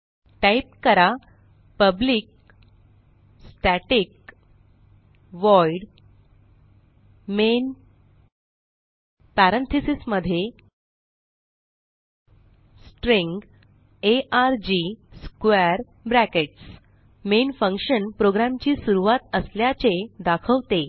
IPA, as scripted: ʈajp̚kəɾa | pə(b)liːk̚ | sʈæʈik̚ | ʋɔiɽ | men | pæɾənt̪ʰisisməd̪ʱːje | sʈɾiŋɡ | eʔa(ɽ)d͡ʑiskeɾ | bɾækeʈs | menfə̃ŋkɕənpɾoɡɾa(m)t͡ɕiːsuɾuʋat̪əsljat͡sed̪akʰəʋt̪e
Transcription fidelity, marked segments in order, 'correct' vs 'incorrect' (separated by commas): correct, incorrect, correct